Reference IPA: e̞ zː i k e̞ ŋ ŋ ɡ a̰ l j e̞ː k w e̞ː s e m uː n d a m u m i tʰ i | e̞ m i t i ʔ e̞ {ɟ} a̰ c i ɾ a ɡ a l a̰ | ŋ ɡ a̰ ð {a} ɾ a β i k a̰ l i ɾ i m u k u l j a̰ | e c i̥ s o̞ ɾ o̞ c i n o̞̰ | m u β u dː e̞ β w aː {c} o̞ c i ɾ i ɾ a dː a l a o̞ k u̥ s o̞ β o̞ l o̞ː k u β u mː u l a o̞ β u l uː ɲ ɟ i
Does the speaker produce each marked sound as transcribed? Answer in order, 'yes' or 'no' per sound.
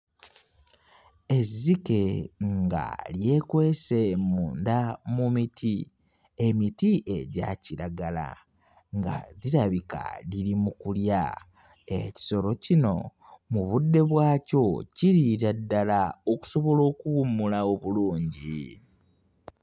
yes, no, yes

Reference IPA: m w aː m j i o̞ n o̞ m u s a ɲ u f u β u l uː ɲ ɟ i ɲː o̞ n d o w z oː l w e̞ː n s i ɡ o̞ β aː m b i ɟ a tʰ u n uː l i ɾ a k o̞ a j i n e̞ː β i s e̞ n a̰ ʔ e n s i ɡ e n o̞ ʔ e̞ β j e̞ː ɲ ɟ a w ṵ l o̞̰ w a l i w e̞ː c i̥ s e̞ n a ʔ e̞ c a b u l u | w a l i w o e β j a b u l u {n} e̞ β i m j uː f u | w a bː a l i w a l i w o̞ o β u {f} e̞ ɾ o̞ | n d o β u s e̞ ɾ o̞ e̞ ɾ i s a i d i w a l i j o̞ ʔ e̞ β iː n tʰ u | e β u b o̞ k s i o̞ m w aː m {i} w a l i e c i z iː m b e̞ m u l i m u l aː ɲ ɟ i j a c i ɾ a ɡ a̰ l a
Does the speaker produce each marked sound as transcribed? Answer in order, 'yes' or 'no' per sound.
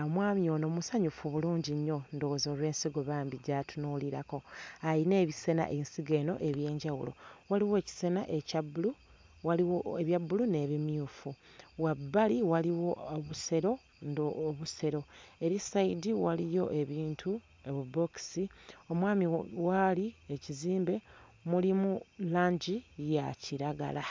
yes, no, yes

